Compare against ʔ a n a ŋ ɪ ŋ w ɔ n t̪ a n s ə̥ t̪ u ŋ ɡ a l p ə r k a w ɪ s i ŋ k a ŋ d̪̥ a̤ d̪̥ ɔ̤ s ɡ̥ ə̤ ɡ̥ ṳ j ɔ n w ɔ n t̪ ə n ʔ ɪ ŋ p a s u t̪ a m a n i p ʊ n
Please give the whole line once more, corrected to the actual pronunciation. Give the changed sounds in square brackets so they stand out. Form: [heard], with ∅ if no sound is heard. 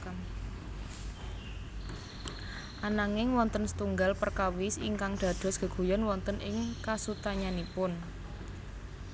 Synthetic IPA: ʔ a n a ŋ ɪ ŋ w ɔ n t̪ [ə] n s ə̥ t̪ u ŋ ɡ a l p ə r k a w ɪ s i ŋ k a ŋ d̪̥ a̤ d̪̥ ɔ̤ s ɡ̥ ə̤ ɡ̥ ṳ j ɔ n w ɔ n t̪ ə n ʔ ɪ ŋ [k] a s u t̪ a [ɲ] a n i p ʊ n